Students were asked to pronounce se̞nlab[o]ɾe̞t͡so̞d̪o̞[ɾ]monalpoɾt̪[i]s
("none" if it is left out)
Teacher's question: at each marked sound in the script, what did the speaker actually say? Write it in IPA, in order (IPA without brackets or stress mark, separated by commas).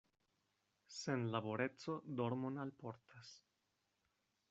o, ɾ, a